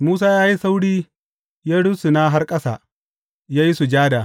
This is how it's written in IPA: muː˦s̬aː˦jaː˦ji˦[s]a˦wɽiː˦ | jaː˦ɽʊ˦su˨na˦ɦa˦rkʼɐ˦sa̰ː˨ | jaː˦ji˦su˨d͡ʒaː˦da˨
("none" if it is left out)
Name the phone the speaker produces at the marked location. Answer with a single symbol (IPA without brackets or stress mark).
s